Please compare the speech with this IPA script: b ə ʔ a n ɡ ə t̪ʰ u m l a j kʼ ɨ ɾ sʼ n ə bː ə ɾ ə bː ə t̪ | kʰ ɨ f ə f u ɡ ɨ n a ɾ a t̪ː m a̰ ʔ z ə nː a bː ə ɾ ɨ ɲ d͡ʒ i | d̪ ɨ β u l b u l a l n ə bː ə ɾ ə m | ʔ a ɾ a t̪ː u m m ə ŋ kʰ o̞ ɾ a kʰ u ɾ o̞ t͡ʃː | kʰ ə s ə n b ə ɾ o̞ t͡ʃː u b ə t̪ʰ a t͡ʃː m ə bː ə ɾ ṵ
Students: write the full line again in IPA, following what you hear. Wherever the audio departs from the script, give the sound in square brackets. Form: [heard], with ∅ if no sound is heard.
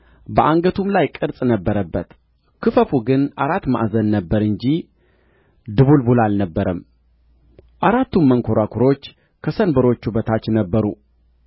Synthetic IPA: b ə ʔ a [ŋ] ɡ ə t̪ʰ u m l a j kʼ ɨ ɾ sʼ n ə bː ə ɾ ə bː ə t̪ | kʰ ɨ f ə f u ɡ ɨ n a ɾ a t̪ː m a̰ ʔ z ə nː [ə] bː ə ɾ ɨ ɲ d͡ʒ i | d̪ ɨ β u l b u l a l n ə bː ə ɾ ə m | ʔ a ɾ a t̪ː u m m ə ŋ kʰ o̞ ɾ a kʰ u ɾ o̞ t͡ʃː | kʰ ə s ə n b ə ɾ o̞ t͡ʃː u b ə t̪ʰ a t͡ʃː [n] ə bː ə ɾ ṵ